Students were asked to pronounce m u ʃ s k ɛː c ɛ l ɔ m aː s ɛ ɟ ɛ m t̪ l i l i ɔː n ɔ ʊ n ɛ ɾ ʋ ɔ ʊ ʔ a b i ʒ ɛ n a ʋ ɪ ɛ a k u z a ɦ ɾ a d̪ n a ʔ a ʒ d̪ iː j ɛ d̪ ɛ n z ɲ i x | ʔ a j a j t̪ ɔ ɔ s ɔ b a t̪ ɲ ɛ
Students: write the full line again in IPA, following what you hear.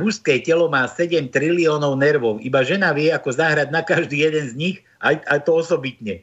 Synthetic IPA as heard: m u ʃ s k ɛː c ɛ l ɔ m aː s ɛ ɟ ɛ m t̪ ɾ i l i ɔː n ɔ ʊ n ɛ ɾ ʋ ɔ ʊ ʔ i b a ʒ ɛ n a ʋ ɪ ɛ a k ɔ z a ɦ ɾ a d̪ n a k a ʒ d̪ iː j ɛ d̪ ɛ n z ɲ i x | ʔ a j a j t̪ ɔ ɔ s ɔ b i t̪ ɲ ɛ